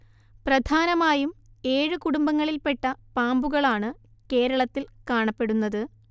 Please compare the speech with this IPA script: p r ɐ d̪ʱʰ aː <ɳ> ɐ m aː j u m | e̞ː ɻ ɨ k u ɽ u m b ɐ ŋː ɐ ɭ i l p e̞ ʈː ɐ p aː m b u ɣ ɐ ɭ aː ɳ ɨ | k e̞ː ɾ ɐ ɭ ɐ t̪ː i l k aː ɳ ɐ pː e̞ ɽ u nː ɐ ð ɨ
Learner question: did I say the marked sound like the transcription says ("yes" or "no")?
no